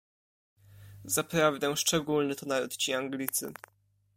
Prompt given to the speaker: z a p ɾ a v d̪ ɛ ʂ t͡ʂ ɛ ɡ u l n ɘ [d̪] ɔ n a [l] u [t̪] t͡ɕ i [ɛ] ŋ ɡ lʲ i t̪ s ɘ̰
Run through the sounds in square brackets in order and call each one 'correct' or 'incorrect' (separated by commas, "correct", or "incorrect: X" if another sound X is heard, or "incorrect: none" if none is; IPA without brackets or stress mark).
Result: incorrect: t̪, incorrect: ɾ, correct, incorrect: a